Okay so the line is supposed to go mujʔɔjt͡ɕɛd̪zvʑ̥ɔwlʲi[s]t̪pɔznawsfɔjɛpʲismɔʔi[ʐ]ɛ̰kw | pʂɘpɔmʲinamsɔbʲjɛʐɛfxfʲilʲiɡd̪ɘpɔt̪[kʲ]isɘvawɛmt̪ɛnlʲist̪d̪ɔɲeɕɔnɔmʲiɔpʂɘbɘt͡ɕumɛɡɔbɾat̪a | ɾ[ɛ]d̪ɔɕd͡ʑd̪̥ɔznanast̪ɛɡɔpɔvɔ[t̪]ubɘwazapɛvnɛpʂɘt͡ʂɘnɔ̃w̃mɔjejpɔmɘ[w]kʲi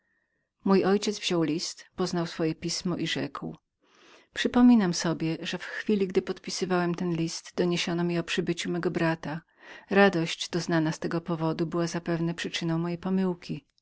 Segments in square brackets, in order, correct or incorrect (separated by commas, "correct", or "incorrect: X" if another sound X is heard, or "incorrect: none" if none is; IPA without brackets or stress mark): correct, correct, incorrect: pʲ, incorrect: a, incorrect: d̪, correct